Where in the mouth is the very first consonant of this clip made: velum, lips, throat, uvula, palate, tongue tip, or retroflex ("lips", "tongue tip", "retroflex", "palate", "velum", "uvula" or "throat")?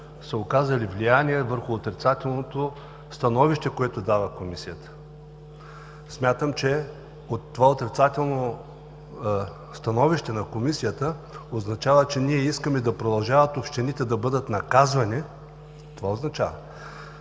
tongue tip